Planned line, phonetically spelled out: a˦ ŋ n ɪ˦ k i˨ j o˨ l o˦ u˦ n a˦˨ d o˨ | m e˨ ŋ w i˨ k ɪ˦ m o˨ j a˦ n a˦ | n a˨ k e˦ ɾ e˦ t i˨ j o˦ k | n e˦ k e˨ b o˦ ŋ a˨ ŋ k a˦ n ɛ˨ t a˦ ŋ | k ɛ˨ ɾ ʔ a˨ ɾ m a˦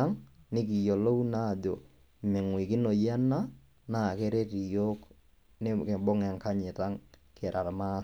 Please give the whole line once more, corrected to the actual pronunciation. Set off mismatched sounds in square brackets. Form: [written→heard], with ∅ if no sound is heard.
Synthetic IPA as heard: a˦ ŋ n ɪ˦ k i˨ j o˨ l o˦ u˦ n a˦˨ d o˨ | m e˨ ŋ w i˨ k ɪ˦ [m→n] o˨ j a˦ n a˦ | n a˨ k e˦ ɾ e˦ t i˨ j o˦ k | n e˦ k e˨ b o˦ ŋ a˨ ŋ k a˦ [n→ɲ] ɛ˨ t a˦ ŋ | k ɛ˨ ɾ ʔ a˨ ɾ m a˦